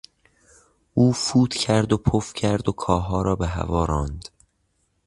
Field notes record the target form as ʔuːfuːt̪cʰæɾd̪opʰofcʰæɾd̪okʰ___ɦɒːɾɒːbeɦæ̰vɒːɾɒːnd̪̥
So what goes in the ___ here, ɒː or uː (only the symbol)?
ɒː